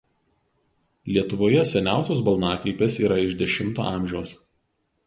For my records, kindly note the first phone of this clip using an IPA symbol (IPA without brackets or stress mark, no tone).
lʲ